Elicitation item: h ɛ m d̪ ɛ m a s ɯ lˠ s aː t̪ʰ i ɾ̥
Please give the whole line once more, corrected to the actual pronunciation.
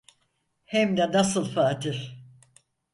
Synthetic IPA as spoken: h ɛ m d̪ ɛ n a s ɯ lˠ f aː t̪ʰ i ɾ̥